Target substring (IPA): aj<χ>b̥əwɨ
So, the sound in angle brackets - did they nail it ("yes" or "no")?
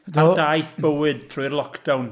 no